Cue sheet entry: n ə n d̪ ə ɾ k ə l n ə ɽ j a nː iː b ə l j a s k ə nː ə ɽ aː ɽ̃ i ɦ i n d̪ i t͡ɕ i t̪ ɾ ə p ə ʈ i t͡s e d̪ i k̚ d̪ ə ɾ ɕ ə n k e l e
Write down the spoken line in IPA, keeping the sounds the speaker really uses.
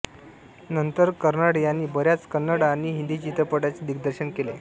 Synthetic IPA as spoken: n ə n t̪ ə ɾ k ə ɾ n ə ɽ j a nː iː b ə ɾ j a t͡s k ə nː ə ɽ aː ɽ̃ i ɦ i n d̪ i t͡ɕ i t̪ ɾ ə p ə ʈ a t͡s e d̪ i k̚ d̪ ə ɾ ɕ ə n k e l e